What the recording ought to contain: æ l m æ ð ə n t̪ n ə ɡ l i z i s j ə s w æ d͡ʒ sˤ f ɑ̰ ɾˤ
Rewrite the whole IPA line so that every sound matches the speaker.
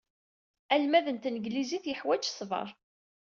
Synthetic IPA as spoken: æ l m æ ð ə n t̪ n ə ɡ l i z i θ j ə ħ w æ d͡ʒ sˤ v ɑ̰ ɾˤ